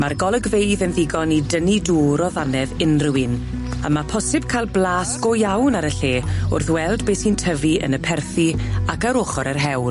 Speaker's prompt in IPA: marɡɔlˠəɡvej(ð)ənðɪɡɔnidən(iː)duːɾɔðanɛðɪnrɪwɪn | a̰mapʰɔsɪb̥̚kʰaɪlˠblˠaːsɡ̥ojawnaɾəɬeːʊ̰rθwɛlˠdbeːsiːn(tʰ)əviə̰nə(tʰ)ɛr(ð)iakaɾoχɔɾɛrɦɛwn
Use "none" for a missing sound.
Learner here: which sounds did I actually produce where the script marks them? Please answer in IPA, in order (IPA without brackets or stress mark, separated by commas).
ð, i, tʰ, pʰ, θ